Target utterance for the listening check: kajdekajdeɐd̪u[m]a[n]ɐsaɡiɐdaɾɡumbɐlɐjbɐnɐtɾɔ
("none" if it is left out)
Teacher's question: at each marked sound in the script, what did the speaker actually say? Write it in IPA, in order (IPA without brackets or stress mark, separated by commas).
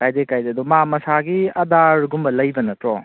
m, m